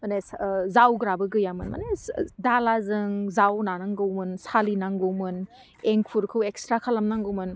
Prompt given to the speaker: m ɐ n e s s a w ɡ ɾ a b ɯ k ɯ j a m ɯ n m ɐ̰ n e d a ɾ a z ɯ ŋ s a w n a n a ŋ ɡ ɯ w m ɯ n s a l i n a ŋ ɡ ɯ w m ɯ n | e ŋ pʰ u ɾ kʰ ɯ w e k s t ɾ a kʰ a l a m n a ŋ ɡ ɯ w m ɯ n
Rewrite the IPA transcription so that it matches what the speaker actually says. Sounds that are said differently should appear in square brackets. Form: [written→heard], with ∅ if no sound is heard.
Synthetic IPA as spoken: m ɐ n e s [s→z] a w ɡ ɾ a b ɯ [k→ɡ] ɯ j a m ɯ n m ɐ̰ n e d a [ɾ→l] a z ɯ ŋ [s→z] a w n a n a ŋ ɡ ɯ w m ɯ n s a l i n a ŋ ɡ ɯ w m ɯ n | e ŋ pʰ u ɾ kʰ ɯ w e k s t ɾ a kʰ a l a m n a ŋ ɡ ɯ w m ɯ n